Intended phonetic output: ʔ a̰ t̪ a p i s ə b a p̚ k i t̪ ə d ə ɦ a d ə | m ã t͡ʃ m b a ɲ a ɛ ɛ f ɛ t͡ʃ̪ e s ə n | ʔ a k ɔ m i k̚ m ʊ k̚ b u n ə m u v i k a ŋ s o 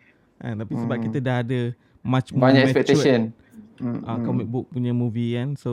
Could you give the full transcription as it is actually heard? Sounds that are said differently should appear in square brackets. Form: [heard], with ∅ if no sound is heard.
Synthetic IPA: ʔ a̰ t̪ a p i s ə b a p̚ k i t̪ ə d [a] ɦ a d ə | m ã t͡ʃ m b a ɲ a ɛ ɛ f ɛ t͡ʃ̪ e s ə n | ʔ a k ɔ m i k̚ [b] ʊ k̚ [p] u [ɲ] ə m u v i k a [n] s o